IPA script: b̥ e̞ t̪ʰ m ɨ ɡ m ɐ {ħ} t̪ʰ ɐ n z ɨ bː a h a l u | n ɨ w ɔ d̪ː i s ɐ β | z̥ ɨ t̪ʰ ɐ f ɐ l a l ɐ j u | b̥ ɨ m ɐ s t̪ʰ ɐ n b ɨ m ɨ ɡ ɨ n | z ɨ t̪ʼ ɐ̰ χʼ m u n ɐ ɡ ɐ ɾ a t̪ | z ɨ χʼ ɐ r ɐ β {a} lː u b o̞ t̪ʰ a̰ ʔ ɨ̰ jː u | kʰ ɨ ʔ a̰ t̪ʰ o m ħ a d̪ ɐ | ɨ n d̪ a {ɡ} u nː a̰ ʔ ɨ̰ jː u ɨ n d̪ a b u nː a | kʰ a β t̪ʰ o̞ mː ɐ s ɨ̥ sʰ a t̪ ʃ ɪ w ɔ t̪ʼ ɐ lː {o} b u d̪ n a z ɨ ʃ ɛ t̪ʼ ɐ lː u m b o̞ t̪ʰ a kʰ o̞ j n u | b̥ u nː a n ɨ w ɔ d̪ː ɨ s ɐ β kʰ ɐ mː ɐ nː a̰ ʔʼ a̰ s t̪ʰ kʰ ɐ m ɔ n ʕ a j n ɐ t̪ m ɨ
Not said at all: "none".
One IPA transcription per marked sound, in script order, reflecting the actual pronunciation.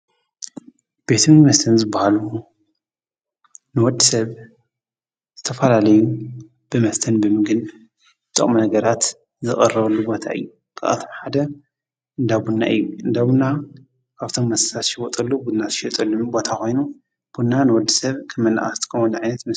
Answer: s, ɐ, b, u

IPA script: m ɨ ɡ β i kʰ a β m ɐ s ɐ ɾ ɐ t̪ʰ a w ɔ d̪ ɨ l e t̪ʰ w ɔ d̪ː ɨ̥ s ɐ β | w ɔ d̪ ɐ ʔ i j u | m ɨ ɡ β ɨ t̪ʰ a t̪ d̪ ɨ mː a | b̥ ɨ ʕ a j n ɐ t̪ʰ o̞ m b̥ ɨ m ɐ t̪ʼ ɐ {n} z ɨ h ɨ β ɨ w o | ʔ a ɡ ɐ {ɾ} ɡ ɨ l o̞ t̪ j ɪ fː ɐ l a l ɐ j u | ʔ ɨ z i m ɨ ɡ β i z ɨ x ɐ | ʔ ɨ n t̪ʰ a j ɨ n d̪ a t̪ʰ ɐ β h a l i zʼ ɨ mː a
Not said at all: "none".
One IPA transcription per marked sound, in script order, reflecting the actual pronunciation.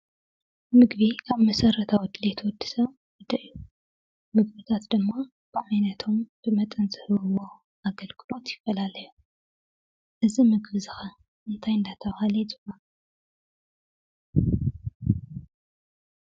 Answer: n, l

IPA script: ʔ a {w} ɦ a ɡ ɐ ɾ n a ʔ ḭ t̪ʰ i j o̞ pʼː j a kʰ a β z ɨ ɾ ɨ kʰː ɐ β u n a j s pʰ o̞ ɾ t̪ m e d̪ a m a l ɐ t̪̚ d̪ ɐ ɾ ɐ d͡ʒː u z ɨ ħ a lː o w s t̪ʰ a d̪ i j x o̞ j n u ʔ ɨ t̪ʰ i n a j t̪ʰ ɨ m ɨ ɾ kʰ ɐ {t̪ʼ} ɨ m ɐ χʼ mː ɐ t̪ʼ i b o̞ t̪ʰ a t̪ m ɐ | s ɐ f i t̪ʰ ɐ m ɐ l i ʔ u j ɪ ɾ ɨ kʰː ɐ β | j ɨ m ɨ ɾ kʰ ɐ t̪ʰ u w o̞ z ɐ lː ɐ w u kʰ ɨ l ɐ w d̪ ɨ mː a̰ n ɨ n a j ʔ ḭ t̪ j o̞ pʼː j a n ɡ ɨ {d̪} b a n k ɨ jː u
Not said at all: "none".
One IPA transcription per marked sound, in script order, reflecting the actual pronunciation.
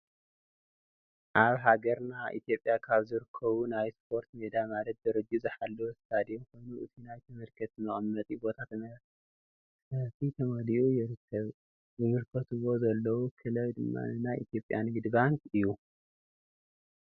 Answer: β, t̪, d̪

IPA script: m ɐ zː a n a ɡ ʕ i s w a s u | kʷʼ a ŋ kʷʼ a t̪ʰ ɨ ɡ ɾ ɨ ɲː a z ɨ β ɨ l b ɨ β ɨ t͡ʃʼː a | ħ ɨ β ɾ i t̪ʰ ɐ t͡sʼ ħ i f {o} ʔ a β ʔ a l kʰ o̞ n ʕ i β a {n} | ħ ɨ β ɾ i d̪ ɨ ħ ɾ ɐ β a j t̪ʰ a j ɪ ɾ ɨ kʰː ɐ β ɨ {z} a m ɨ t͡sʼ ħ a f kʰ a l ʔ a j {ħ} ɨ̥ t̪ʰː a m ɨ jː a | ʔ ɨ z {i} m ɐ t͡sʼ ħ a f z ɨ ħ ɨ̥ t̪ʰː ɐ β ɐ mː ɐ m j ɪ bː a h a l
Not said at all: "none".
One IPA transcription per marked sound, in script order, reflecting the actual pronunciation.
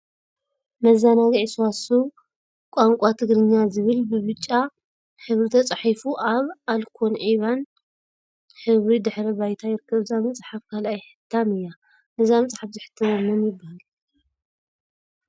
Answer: u, n, z, ħ, a

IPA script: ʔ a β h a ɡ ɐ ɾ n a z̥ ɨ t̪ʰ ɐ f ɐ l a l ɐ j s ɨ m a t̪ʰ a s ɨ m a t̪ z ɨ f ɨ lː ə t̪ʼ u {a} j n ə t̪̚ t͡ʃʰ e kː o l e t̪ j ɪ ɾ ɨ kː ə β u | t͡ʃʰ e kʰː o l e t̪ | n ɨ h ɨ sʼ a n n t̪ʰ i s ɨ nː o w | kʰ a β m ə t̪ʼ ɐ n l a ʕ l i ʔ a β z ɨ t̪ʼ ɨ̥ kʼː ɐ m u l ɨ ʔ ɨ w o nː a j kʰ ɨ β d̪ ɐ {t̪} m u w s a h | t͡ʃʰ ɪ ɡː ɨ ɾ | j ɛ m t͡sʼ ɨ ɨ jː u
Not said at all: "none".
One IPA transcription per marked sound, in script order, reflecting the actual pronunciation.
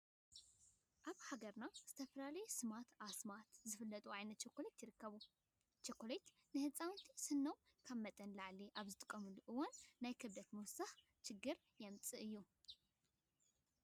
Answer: a, t̪

